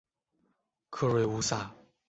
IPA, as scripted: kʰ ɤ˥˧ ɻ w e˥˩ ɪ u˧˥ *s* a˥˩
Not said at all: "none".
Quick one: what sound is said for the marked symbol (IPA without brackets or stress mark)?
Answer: s